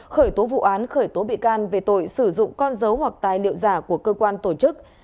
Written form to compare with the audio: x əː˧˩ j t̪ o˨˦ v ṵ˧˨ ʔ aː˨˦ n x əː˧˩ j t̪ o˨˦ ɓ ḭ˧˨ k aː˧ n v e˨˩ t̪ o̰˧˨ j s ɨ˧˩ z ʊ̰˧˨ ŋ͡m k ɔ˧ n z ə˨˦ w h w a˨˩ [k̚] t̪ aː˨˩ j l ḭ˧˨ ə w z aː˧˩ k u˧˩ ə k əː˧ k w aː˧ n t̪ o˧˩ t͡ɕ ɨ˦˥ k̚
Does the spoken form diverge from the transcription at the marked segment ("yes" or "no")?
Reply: no